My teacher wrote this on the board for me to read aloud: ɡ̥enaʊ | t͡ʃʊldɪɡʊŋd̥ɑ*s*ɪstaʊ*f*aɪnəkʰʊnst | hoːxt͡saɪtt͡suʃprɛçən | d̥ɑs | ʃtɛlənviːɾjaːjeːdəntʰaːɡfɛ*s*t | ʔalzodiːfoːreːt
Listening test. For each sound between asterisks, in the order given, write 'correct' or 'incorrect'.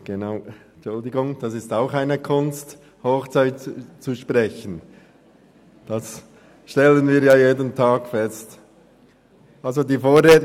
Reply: correct, incorrect: x, correct

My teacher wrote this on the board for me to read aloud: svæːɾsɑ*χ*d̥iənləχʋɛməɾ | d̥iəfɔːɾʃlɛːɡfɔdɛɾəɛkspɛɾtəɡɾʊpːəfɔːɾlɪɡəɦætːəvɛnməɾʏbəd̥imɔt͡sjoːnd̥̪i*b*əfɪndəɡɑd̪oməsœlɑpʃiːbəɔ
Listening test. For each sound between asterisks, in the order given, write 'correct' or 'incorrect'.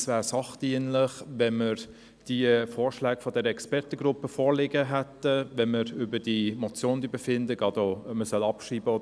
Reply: correct, correct

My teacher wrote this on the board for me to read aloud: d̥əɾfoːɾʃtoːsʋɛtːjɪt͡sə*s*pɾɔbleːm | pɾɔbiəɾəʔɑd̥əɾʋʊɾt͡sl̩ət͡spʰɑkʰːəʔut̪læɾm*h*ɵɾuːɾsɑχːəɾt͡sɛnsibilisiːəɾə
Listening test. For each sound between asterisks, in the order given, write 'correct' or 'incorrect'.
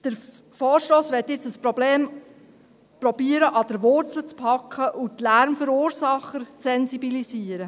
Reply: correct, incorrect: f

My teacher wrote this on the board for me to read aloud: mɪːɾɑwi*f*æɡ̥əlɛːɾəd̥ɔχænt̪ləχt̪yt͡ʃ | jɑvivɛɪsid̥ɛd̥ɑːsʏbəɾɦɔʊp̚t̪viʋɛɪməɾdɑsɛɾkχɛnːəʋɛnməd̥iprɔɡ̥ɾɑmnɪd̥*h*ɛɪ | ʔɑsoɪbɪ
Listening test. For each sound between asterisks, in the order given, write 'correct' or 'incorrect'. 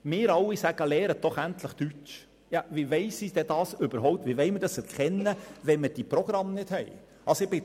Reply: incorrect: s, correct

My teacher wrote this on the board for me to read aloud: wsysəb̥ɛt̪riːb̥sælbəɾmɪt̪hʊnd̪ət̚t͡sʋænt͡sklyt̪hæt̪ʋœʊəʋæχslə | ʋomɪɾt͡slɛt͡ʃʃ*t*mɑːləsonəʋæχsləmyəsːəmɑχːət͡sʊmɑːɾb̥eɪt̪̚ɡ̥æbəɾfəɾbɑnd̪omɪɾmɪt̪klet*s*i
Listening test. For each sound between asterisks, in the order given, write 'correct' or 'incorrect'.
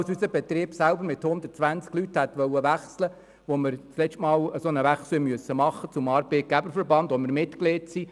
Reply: correct, correct

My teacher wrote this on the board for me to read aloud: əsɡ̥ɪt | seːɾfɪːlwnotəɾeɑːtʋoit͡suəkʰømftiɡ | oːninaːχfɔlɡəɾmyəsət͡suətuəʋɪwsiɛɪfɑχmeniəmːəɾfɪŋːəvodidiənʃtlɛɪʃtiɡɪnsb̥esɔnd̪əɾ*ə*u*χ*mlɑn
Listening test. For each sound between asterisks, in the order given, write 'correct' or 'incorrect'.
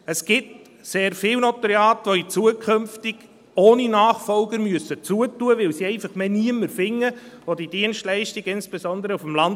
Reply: correct, incorrect: f

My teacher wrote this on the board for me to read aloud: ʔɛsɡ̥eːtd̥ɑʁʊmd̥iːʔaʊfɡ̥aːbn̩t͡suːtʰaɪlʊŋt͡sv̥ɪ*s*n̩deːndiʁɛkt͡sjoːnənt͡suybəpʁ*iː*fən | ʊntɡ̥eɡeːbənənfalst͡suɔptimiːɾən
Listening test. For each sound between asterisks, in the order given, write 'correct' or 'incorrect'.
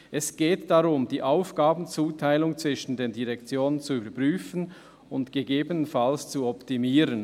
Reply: incorrect: ʃ, incorrect: yː

